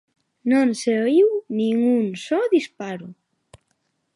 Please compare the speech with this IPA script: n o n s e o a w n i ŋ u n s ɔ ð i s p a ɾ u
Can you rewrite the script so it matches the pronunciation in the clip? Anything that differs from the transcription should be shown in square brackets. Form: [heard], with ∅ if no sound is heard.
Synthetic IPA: n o n s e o [i] w n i ŋ u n s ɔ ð i s p a ɾ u